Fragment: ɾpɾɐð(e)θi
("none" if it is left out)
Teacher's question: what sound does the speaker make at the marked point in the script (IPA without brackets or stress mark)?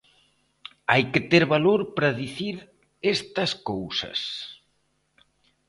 i